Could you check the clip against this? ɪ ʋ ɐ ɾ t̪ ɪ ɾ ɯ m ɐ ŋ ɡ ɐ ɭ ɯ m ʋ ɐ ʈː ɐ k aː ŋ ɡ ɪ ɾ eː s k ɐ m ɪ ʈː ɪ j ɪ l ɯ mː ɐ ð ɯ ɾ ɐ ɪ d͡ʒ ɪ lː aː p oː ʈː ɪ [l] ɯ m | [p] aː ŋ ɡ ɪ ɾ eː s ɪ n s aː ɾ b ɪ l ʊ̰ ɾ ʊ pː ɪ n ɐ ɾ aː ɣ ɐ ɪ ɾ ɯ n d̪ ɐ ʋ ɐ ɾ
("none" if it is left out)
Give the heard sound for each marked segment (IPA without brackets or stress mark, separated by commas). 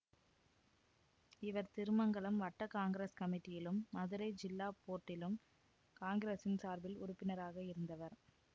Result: l, k